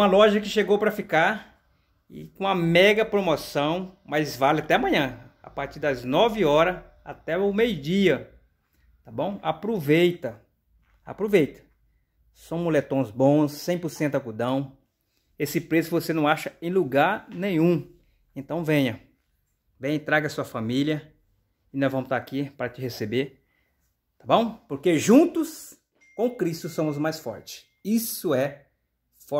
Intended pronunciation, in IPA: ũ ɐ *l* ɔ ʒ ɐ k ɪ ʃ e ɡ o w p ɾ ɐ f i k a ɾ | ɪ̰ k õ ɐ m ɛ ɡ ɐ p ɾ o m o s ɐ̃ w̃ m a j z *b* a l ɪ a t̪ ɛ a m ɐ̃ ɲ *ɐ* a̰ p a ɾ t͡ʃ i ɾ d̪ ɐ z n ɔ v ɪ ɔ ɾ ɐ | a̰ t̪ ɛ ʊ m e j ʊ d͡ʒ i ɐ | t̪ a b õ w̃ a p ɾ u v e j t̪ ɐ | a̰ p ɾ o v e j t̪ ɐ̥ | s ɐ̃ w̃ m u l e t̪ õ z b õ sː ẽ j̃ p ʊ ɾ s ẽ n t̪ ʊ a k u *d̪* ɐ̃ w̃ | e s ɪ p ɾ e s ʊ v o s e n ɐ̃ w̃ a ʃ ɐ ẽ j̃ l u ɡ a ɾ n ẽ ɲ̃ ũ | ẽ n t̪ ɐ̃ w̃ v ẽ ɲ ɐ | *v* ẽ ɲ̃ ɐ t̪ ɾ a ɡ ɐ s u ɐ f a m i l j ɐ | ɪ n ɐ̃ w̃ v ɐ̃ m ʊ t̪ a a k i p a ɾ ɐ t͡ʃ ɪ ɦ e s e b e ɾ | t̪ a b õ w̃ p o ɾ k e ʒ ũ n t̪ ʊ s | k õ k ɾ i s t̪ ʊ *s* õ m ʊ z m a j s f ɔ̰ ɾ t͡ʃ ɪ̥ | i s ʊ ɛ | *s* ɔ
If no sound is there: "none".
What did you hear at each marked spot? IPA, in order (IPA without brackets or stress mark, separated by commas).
l, v, ɐ̃, d̪, v, s, f